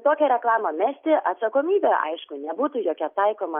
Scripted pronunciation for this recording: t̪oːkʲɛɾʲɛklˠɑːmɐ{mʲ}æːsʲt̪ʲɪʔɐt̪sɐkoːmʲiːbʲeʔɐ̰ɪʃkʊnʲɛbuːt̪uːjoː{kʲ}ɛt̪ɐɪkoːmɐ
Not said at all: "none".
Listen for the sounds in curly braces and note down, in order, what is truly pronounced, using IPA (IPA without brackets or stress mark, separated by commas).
mʲ, kʲ